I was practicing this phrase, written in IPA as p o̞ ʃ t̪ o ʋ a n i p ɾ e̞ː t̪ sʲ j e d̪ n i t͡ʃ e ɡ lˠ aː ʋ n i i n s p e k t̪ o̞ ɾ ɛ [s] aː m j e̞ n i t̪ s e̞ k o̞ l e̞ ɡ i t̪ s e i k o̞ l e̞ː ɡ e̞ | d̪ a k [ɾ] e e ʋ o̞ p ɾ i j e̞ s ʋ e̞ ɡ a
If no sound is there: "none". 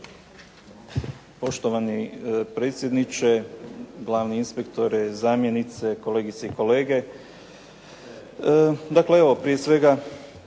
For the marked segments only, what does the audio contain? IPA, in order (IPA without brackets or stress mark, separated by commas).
z, l